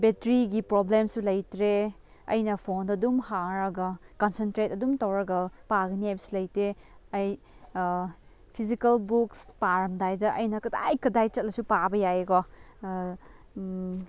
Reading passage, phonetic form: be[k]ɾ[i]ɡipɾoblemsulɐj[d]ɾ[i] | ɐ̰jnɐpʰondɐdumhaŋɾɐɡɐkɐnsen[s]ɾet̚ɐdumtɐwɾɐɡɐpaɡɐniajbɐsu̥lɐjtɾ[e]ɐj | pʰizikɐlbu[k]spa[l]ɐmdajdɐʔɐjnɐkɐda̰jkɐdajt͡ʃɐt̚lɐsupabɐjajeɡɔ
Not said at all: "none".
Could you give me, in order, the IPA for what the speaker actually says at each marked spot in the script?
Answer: t, i, t, e, t, e, k, ɾ

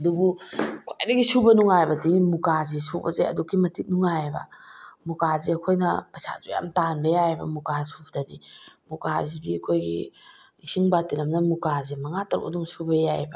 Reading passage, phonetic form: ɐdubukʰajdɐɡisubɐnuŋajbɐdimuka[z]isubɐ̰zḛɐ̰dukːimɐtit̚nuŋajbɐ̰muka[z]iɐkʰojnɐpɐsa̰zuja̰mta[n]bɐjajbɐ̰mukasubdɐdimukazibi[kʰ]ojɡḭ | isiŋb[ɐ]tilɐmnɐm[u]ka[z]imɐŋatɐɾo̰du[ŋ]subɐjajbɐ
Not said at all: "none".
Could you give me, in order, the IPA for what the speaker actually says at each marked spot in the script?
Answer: z, z, n, kʰ, a, u, z, ŋ

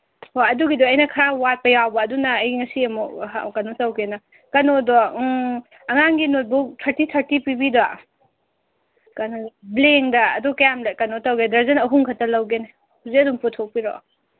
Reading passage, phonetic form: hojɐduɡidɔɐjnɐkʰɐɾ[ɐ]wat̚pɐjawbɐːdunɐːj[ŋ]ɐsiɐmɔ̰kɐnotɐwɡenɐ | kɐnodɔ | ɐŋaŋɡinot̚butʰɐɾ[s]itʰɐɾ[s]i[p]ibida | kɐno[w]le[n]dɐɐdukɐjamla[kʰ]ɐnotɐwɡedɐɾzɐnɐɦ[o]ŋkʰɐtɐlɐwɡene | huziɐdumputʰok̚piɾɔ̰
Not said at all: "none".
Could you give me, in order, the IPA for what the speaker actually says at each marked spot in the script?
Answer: a, ŋ, t, t, p, b, ŋ, k, u

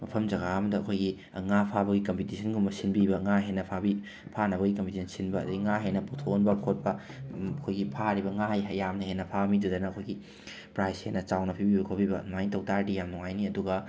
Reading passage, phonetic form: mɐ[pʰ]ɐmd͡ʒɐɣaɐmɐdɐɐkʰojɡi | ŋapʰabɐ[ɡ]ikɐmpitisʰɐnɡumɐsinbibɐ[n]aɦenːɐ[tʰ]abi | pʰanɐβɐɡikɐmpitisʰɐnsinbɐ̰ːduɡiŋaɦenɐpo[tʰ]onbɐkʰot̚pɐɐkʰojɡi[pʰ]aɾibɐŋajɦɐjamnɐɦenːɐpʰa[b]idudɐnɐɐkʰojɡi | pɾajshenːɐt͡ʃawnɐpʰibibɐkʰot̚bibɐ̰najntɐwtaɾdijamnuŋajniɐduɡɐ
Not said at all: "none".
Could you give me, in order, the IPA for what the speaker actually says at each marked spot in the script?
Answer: pʰ, ɡ, ŋ, pʰ, tʰ, pʰ, m

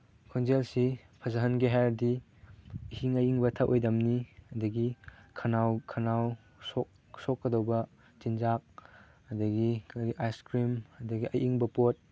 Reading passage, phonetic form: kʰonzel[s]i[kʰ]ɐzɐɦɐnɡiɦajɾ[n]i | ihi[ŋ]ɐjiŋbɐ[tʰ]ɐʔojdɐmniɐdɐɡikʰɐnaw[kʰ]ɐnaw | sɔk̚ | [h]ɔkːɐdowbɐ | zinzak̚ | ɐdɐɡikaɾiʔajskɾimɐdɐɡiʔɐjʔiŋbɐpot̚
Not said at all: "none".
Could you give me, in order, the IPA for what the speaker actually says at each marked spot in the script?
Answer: s, pʰ, d, ŋ, tʰ, kʰ, s

